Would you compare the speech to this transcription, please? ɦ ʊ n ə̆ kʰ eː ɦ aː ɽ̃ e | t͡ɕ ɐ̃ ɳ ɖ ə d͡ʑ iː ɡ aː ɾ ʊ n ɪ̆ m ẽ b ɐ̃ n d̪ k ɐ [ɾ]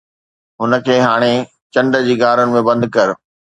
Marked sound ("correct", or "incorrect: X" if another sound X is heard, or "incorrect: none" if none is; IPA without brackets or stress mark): correct